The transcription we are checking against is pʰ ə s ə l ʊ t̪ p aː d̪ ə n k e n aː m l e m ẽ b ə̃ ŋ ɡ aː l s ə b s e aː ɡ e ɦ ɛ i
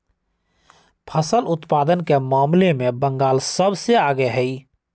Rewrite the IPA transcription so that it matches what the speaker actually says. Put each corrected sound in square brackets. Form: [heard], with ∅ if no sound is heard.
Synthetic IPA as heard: pʰ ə s ə l ʊ t̪ p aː d̪ ə n k e [m] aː m l e m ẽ b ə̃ ŋ ɡ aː l s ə b s e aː ɡ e ɦ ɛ i